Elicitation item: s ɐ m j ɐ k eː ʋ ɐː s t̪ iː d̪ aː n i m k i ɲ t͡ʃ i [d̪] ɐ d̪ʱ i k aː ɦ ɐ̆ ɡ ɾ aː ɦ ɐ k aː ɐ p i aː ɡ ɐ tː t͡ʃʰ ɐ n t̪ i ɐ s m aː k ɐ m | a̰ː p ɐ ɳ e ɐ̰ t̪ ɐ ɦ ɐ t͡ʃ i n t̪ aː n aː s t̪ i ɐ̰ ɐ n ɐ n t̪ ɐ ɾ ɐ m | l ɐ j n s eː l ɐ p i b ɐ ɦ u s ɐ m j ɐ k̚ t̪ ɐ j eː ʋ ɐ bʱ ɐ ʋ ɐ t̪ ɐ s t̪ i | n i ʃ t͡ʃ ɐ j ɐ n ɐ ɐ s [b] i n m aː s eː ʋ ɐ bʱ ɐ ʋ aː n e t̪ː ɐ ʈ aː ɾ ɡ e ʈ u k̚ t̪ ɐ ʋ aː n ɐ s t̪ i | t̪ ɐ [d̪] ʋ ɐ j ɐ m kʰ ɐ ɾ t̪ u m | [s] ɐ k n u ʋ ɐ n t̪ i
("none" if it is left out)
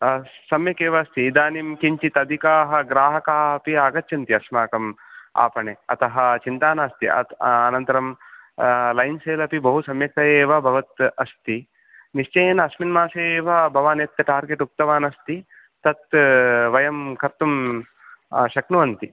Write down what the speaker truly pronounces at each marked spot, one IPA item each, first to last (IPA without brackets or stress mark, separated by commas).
t̪, m, t̪, ʃ